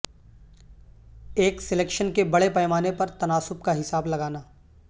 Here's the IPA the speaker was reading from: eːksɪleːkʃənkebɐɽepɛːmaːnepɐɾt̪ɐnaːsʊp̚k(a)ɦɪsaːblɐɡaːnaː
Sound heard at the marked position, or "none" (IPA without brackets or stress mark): a